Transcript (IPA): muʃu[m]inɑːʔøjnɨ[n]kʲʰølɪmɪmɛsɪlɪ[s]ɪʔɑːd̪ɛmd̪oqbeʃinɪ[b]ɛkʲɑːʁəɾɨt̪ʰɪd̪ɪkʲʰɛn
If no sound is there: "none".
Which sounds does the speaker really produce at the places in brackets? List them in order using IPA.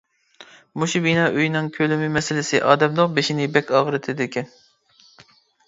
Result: b, ŋ, s, b

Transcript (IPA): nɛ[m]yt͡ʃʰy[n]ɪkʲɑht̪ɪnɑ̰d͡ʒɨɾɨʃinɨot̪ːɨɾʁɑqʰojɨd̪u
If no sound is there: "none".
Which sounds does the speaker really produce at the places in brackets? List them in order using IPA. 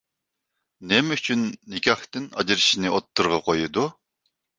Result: m, nː

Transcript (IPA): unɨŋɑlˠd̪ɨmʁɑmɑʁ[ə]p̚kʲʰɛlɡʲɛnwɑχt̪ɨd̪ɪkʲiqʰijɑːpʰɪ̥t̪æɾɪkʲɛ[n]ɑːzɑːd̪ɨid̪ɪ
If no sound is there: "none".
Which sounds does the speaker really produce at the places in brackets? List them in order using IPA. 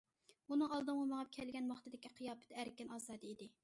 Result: ɑ, n

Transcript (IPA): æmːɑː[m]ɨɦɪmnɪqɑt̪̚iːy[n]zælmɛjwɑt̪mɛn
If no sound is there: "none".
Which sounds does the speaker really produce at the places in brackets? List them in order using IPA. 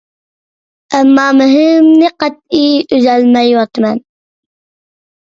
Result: m, none

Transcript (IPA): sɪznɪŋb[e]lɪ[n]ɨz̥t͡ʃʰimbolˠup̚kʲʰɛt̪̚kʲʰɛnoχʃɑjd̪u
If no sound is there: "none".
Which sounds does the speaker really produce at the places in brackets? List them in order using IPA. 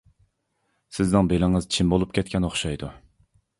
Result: e, ŋ

